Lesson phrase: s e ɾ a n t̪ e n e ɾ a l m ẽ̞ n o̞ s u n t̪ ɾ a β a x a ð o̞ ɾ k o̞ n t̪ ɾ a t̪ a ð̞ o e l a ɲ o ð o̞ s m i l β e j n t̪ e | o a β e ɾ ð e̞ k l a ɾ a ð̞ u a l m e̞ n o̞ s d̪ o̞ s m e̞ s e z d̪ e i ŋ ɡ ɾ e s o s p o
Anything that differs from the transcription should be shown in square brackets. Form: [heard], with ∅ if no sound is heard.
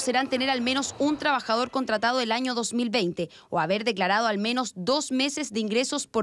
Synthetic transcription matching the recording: s e ɾ a n t̪ e n e ɾ a l m [e̞] n o̞ s u n t̪ ɾ a β a x a ð o̞ ɾ k o̞ n t̪ ɾ a t̪ a ð̞ o e l a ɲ o ð o̞ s m i l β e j n t̪ e | o a β e ɾ ð e̞ k l a ɾ a ð̞ [o] a l m e̞ n o̞ s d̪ o̞ s m e̞ s e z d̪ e i ŋ ɡ ɾ e s o s p o